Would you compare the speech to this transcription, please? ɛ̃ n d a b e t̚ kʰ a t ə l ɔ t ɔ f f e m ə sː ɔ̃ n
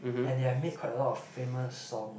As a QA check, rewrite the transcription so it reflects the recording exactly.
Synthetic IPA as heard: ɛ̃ n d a m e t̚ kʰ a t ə l ɔ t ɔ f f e m ə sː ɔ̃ ŋ